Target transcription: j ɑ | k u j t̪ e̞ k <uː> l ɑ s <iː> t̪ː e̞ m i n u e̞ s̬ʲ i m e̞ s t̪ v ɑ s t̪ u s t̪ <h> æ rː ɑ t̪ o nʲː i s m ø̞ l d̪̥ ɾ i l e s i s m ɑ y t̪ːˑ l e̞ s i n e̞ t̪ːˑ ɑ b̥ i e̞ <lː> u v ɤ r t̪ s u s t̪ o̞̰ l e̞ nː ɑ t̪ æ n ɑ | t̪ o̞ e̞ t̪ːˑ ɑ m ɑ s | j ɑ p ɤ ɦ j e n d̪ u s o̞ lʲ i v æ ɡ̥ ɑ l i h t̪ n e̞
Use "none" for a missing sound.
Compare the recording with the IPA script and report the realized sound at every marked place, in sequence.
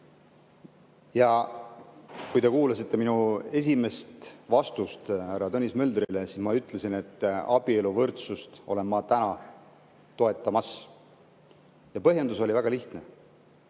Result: uː, i, h, l

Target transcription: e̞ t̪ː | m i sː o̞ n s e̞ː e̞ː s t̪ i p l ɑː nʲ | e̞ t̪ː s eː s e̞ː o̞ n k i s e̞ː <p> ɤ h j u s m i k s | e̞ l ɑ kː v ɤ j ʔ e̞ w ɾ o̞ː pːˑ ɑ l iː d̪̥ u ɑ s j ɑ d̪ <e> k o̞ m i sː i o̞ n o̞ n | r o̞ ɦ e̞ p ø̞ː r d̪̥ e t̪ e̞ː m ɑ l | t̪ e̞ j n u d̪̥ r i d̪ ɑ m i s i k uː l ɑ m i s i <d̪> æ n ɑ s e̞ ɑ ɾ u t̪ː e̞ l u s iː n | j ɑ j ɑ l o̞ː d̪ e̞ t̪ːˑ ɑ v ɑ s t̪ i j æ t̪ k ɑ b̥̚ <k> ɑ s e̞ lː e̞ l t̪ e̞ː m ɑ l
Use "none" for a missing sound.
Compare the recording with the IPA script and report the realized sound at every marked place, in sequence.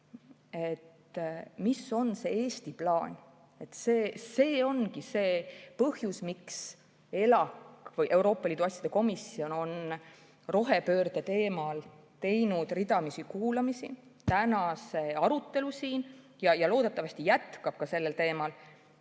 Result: p, e, t̪, k

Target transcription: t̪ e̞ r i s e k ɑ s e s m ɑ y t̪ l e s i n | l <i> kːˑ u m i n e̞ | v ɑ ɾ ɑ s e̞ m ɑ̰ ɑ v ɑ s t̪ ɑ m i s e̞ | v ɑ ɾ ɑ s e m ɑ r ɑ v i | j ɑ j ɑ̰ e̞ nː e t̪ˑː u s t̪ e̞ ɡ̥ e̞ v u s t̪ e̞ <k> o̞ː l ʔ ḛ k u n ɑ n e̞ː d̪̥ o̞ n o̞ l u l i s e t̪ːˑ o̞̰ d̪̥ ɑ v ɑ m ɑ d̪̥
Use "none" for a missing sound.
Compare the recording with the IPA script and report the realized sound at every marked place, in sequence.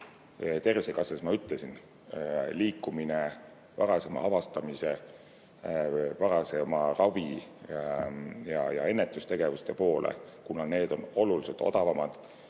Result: iː, p

